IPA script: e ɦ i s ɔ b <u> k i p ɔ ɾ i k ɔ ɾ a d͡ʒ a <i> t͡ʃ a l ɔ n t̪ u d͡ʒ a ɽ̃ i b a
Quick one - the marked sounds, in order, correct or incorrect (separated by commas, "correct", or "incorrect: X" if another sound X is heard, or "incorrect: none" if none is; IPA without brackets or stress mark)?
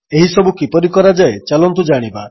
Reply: correct, incorrect: e